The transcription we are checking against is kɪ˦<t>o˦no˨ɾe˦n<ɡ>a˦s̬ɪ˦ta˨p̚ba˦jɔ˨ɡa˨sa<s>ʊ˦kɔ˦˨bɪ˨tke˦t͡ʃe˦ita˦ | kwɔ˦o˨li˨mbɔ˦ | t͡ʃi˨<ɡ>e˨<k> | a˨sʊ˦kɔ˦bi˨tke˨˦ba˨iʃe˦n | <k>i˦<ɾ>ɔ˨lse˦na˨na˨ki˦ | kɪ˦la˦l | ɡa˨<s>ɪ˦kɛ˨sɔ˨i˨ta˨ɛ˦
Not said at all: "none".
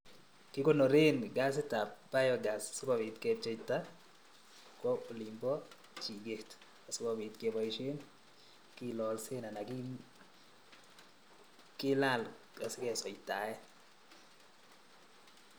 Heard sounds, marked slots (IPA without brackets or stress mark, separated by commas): k, ɡ, s, ɡ, t, k, l, s